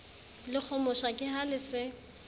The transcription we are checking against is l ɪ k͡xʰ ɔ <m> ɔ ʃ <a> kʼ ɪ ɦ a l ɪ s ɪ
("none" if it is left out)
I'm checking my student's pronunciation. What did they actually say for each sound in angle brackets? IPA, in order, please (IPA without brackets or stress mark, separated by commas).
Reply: m, a